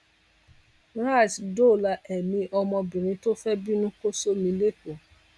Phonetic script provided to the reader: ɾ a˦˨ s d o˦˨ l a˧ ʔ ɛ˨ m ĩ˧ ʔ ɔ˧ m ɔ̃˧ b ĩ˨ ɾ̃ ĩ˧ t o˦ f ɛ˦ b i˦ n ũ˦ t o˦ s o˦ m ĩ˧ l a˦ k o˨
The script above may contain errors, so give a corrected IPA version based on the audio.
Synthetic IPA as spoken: ɾ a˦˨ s d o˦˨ l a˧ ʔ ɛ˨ m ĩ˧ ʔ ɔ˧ m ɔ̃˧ b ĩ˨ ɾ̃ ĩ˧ t o˦ f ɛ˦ b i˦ n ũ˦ k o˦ s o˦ m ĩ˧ l e˦ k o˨